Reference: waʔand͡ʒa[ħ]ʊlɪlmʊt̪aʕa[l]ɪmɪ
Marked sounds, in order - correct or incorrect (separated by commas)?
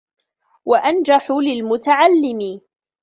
correct, incorrect